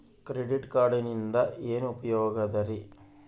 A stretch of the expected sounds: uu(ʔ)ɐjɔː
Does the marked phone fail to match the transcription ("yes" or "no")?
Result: yes